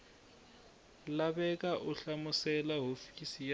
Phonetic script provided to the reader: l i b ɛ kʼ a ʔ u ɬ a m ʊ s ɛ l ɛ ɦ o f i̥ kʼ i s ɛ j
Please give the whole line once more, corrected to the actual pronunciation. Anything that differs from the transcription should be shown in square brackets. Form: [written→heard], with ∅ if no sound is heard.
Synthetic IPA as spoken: l [i→a] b ɛ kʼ a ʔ [u→ʊ] ɬ a m ʊ s ɛ l [ɛ→a] ɦ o f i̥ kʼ i s [ɛ→i] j